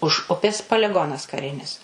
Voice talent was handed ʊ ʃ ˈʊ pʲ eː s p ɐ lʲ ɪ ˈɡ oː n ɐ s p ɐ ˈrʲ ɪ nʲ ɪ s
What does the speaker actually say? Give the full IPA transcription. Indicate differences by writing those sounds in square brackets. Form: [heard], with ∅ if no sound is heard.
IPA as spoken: ʊ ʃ ˈʊ pʲ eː s p ɐ lʲ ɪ ˈɡ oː n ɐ s [k] ɐ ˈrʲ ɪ nʲ ɪ s